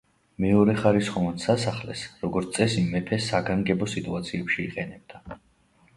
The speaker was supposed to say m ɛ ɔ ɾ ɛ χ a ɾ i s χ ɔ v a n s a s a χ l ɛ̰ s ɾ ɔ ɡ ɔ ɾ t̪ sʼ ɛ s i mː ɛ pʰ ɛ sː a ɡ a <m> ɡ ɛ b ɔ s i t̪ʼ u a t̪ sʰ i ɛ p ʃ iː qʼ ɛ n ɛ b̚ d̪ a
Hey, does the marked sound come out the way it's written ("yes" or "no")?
no